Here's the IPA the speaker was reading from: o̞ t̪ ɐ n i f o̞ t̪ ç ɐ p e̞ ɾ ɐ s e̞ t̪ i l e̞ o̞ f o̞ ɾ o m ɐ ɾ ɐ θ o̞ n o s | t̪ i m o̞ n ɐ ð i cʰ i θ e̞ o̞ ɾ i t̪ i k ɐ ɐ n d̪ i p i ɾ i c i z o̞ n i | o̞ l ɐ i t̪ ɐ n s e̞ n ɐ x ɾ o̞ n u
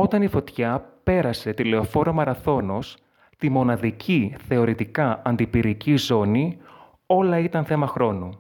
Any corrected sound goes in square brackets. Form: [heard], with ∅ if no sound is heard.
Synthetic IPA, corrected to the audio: o̞ t̪ ɐ n i f o̞ t̪ ç ɐ p e̞ ɾ ɐ s e̞ t̪ i l e̞ o̞ f o̞ ɾ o m ɐ ɾ ɐ θ o̞ n o s | t̪ i m o̞ n ɐ ð i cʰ i θ e̞ o̞ ɾ i t̪ i k ɐ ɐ n d̪ i p i ɾ i c i z o̞ n i | o̞ l ɐ i t̪ ɐ n [θ] e̞ [m] ɐ x ɾ o̞ n u